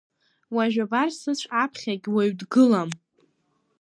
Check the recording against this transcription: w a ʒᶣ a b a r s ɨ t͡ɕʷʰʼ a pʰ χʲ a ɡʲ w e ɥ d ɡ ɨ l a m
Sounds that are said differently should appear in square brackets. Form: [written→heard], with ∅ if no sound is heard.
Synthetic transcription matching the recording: w a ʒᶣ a b a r s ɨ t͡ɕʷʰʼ a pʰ χʲ a ɡʲ w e ɥ d ɡ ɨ l a m

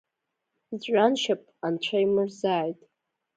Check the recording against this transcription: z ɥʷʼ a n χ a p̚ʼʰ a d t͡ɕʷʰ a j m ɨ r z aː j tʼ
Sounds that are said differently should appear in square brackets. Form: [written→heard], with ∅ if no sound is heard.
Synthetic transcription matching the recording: z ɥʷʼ a n [χ→ʃ] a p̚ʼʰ a [d→n] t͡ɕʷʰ a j m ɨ r z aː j tʼ

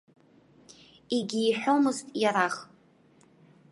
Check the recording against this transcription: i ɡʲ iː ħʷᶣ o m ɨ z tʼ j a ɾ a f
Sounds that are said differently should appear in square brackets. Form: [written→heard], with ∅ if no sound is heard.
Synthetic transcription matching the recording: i ɡʲ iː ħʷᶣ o m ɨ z tʼ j a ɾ a [f→χ]

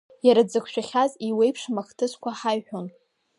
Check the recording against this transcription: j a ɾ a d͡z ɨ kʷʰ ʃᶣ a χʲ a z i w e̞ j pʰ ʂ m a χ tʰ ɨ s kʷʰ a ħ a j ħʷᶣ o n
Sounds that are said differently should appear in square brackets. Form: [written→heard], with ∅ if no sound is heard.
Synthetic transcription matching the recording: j a ɾ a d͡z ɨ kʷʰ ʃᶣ a χʲ a z i w e̞ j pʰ ʂ m a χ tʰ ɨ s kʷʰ a ħ a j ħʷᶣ o n

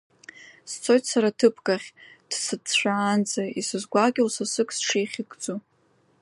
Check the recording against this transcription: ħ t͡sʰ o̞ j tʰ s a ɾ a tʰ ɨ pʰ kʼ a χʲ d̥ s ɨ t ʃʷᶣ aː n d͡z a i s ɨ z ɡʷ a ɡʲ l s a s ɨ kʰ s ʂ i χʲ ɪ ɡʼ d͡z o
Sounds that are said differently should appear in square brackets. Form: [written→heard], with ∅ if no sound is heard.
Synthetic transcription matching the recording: [ħ→s] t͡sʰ o̞ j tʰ s a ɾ a tʰ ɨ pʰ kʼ a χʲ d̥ s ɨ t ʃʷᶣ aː n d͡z a i s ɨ z ɡʷ a ɡʲ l s a s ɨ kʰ s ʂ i χʲ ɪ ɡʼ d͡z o

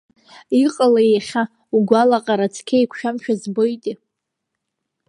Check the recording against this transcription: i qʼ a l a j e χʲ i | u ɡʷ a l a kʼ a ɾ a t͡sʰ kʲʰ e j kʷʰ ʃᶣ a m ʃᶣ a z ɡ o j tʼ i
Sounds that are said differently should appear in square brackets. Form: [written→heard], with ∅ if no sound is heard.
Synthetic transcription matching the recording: i qʼ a l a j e χʲ [i→a] | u ɡʷ a l a [kʼ→qʼ] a ɾ a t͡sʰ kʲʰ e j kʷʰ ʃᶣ a m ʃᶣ a z [ɡ→b] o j tʼ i

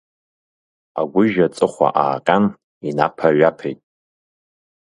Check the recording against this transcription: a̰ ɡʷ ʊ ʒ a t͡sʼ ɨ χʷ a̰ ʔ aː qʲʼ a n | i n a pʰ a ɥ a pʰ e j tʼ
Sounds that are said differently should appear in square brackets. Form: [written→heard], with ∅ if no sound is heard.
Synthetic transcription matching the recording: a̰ ɡʷ ʊ ʒ a t͡sʼ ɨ χʷ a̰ ʔ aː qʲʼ a n | i n a pʰ a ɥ a pʰ e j tʼ

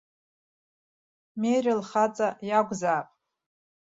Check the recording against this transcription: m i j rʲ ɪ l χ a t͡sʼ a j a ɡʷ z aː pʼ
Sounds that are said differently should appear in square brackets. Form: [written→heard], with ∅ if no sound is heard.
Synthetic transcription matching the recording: m [i→e] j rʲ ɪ l χ a t͡sʼ a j a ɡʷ z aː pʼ

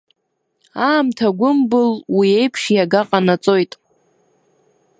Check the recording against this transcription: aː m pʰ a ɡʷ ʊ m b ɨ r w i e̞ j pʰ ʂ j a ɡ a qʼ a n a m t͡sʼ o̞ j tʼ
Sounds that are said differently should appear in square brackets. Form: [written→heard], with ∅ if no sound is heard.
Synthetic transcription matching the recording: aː m [pʰ→tʰ] a ɡʷ ʊ m b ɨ [r→l] w i e̞ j pʰ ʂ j a ɡ a qʼ a n a [m→∅] t͡sʼ o̞ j tʼ

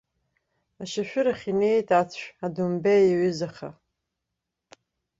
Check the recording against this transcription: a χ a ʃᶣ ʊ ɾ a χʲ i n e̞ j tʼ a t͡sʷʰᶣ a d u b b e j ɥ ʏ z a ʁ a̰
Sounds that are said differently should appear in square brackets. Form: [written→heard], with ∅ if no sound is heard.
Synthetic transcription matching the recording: a [χ→ʃ] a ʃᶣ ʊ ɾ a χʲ i n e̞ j tʼ a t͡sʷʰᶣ a d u [b→m] b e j ɥ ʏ z a [ʁ→χ] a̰

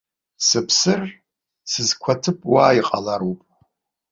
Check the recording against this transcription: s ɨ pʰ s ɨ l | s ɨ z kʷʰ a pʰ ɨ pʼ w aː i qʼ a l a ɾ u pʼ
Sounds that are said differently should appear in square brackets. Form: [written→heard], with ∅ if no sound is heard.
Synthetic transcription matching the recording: s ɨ pʰ s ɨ [l→r] | s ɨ z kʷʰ a [pʰ→tʰ] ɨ pʼ w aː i qʼ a l a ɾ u pʼ

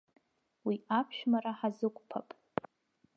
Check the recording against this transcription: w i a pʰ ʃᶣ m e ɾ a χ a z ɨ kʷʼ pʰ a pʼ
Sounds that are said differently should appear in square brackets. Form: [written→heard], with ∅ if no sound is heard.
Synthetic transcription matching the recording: w i a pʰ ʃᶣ m [e→a] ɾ a [χ→ħ] a z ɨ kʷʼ pʰ a pʼ

